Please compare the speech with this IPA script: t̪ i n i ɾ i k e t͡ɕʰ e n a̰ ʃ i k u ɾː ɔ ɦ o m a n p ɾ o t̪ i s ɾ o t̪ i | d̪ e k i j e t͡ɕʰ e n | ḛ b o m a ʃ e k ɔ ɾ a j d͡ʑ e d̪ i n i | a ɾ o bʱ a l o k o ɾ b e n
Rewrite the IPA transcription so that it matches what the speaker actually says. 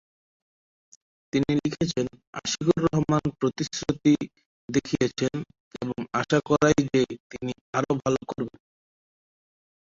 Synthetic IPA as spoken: t̪ i n i l i kʰ e t͡ɕʰ e n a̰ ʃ i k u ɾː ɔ ɦ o m a n p ɾ o t̪ i s ɾ o t̪ i | d̪ e kʰ i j e t͡ɕʰ e n | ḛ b o ŋ a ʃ a k ɔ ɾ a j d͡ʑ e t̪ i n i | a ɾ o bʱ a l o k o ɾ b e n